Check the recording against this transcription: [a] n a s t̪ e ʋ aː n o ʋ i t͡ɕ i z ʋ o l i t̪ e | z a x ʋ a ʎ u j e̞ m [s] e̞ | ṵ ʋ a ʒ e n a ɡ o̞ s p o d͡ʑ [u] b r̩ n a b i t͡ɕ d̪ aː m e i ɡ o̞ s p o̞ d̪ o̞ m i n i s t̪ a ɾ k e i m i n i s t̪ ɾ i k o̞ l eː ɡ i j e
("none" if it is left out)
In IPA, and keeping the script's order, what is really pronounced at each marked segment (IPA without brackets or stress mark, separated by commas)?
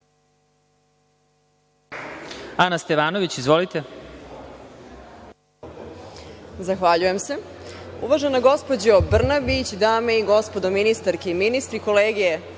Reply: a, s, o